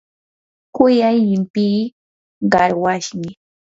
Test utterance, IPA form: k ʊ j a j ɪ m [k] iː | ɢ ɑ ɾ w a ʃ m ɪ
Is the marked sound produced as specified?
no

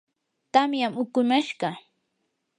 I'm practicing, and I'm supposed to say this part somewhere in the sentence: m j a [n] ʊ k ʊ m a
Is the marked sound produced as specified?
no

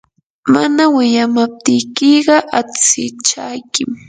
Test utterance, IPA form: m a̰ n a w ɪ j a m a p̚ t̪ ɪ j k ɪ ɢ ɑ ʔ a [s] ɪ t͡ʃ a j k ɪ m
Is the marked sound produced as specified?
no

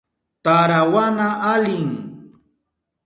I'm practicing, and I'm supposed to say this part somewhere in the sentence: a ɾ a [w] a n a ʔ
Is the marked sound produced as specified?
yes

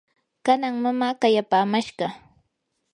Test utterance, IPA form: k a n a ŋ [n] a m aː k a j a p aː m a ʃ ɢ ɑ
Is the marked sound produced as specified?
no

